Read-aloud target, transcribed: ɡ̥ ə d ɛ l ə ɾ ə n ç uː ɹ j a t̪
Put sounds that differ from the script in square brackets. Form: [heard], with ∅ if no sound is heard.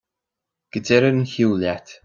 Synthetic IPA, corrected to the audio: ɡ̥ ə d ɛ [ɾ] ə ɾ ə n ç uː [l] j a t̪